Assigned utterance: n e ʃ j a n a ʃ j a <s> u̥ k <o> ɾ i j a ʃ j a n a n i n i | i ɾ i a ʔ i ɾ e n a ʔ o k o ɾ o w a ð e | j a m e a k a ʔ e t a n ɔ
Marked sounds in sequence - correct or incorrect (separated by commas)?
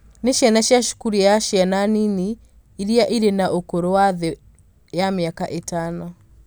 incorrect, incorrect